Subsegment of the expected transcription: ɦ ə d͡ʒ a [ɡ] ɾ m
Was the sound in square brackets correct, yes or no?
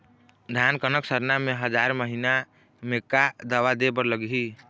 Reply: no